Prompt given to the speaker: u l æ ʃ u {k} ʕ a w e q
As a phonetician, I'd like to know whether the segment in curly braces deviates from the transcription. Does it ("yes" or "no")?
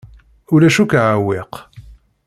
no